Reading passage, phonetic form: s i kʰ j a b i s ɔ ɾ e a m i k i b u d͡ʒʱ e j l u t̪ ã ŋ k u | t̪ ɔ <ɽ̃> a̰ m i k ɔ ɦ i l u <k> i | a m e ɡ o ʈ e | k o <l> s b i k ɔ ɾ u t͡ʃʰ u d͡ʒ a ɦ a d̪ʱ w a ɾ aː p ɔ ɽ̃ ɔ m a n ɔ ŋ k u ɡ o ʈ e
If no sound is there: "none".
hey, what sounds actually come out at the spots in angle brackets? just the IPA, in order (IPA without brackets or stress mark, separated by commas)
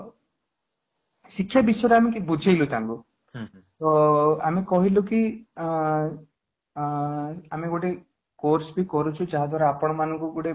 none, k, ɾ